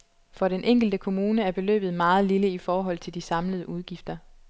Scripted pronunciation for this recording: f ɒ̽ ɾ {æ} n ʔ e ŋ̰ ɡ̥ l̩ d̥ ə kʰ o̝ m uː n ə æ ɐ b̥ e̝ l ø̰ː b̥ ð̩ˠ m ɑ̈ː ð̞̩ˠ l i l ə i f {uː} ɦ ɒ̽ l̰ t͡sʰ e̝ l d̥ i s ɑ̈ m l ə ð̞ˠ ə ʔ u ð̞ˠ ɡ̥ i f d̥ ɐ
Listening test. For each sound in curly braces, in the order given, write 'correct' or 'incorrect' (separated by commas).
incorrect, incorrect